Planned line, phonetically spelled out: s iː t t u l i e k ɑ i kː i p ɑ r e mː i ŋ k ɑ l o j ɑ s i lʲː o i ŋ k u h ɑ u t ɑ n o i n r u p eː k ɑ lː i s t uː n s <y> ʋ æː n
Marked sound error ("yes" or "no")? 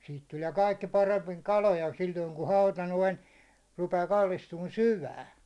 no